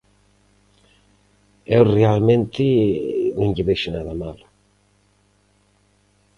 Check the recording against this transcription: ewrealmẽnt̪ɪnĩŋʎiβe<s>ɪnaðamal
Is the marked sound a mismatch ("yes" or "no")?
yes